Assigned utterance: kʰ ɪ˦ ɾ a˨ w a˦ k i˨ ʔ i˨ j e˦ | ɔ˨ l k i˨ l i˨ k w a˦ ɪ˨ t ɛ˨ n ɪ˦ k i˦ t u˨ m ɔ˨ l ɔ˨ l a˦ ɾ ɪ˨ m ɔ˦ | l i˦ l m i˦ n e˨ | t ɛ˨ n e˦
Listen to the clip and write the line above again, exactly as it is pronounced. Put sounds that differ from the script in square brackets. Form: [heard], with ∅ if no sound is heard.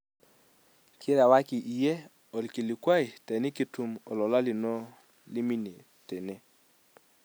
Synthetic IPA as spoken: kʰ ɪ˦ ɾ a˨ w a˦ k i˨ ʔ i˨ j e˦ | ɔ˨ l k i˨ l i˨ k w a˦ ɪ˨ t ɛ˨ n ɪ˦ k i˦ t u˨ m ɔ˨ l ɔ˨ l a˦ [l] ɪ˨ [n] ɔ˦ | l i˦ [∅] m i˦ n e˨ | t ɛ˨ n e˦